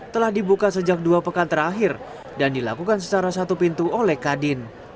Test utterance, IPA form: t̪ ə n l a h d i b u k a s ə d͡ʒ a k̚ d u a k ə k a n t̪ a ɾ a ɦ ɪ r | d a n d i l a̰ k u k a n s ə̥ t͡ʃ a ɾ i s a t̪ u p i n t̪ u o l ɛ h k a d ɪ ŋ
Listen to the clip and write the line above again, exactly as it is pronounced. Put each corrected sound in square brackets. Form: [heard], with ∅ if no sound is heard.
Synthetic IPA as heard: t̪ ə [∅] l a h d i b u k a s ə d͡ʒ a k̚ d u a [p] ə k a n t̪ [ə] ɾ a ɦ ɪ r | d a n d i l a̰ k u k a n s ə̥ t͡ʃ a ɾ [a] s a t̪ u p i n t̪ u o l ɛ h k a d ɪ [n]